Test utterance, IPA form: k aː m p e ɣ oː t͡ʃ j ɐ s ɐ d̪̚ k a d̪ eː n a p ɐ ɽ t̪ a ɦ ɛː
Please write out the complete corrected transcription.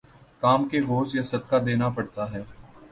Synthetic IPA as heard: k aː m k e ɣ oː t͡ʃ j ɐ s ɐ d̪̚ k a d̪ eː n a p ɐ ɽ t̪ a ɦ ɛː